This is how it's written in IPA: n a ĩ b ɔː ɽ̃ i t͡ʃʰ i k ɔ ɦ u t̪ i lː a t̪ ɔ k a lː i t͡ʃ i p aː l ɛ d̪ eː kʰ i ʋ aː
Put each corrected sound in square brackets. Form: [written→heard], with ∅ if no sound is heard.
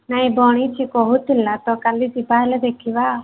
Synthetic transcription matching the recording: n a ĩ b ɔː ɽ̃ i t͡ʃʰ i k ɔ ɦ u t̪ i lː a t̪ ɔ k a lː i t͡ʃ i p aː l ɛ d̪ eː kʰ i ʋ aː